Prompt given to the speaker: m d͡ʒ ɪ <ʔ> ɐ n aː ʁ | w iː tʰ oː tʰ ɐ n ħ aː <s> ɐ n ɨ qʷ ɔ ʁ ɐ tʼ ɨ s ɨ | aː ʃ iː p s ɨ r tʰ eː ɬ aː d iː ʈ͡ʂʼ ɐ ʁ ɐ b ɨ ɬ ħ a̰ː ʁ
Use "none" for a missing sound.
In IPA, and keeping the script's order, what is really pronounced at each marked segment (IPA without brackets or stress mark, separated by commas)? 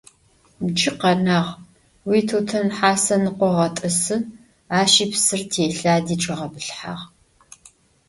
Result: q, s